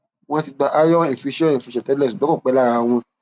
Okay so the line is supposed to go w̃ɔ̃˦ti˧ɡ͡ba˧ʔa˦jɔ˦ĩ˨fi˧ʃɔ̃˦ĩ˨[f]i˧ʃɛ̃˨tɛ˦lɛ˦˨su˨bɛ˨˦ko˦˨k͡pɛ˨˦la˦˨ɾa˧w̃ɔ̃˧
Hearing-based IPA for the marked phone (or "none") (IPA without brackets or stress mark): f